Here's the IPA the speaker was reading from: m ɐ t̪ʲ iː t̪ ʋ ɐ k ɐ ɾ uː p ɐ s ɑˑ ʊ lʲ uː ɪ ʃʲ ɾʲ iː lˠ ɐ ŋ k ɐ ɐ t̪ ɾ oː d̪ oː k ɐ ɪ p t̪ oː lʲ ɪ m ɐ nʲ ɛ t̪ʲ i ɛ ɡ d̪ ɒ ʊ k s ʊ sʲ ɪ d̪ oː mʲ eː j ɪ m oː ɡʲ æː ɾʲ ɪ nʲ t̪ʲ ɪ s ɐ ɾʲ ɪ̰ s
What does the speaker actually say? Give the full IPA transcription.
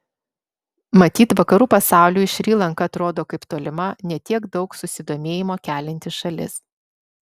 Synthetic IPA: m ɐ t̪ʲ iː t̪ ʋ ɐ k ɐ ɾ uː p ɐ s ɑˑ ʊ lʲ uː ɪ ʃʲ ɾʲ iː lˠ ɐ ŋ k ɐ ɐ t̪ ɾ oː d̪ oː k ɐ ɪ p t̪ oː lʲ ɪ m ɐ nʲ ɛ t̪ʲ i ɛ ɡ d̪ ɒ ʊ k s ʊ sʲ ɪ d̪ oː mʲ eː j ɪ m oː kʲ æː lʲ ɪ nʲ t̪ʲ ɪ ʃ ɐ lʲ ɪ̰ s